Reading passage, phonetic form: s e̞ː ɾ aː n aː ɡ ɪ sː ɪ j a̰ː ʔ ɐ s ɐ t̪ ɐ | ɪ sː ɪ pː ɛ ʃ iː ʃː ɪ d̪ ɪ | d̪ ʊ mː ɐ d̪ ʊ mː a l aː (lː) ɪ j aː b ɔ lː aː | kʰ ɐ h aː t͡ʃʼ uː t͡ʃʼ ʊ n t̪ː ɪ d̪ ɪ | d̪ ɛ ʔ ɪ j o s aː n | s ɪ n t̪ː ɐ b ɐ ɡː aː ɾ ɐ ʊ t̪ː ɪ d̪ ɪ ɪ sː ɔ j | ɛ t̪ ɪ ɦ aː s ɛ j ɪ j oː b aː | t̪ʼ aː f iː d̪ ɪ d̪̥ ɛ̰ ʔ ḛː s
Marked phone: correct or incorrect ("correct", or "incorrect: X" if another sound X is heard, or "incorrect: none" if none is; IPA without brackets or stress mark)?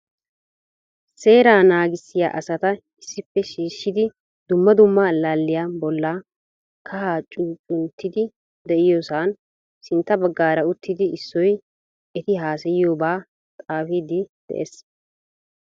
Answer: correct